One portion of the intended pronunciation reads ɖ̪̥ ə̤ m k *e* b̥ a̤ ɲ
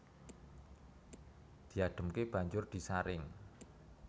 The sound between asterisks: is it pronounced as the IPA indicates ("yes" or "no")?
yes